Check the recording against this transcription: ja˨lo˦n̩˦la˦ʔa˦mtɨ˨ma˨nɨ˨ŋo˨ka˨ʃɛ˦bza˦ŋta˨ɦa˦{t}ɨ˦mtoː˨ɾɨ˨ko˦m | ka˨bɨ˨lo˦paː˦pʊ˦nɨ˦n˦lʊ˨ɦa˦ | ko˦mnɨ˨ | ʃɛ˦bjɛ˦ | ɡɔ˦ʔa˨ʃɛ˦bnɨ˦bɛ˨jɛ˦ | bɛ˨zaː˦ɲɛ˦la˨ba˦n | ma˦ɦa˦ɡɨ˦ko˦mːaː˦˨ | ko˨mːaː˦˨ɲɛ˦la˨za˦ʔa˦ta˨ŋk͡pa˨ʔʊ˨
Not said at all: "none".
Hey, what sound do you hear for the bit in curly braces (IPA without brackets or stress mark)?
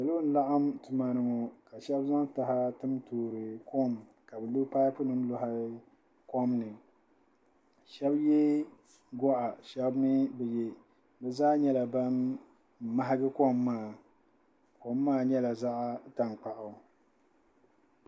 t